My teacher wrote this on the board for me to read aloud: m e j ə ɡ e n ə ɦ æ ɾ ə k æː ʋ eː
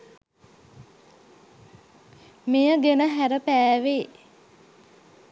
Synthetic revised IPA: m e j ə ɡ e n ə ɦ æ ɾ ə p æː ʋ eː